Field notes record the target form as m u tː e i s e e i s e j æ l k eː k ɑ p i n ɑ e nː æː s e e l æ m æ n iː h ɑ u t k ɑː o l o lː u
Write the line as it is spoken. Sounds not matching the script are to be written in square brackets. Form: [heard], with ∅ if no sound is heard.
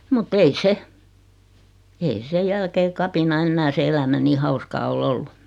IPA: m u tː e i s e e i s e j æ l k eː k ɑ p i n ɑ e nː æː s e e l æ m æ n iː h ɑ u [s] k ɑː o l o lː u